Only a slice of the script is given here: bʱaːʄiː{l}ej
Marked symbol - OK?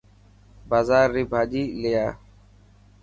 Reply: yes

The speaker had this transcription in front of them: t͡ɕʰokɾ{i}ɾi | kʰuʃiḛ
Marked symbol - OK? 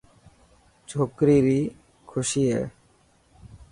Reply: yes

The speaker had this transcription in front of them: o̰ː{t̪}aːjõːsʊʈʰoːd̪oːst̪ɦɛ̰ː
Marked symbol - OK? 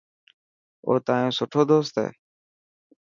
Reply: yes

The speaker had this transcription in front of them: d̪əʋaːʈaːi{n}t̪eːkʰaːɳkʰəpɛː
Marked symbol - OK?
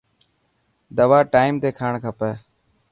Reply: no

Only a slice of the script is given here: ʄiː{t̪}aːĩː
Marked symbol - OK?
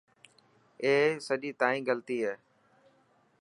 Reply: yes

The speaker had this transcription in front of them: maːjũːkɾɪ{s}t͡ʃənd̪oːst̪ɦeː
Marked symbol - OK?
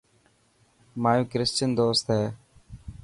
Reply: yes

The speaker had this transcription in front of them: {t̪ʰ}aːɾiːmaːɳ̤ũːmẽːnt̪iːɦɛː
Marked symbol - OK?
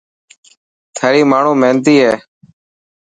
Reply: yes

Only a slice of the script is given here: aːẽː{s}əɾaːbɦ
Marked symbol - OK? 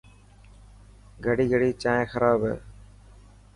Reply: no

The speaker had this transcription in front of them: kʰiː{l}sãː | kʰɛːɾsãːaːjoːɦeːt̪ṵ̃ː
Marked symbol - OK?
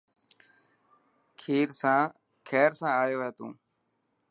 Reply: no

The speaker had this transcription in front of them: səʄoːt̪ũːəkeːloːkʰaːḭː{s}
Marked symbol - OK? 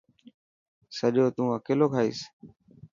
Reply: yes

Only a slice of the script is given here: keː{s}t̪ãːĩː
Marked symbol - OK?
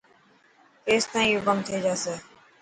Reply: yes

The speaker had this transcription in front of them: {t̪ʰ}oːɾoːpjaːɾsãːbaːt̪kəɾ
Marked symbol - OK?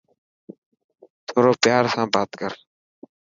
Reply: yes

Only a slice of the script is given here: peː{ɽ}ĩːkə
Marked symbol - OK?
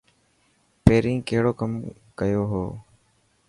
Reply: no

